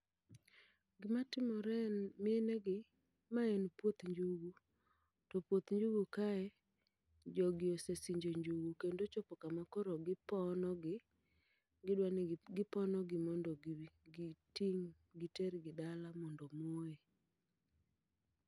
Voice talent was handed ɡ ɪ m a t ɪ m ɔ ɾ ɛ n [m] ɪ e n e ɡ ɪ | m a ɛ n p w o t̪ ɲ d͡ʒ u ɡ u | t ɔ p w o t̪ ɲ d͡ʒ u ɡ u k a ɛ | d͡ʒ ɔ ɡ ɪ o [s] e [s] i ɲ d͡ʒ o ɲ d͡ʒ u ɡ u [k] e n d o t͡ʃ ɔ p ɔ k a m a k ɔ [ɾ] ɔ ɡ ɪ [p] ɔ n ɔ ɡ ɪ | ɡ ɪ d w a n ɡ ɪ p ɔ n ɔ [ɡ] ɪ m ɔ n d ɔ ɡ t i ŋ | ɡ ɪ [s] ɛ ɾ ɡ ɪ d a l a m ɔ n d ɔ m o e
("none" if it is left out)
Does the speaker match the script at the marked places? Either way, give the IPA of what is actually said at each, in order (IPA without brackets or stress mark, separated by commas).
m, s, s, k, ɾ, p, ɡ, t